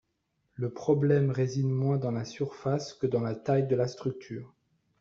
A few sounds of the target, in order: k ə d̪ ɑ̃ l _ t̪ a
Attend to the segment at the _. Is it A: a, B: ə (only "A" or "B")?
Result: A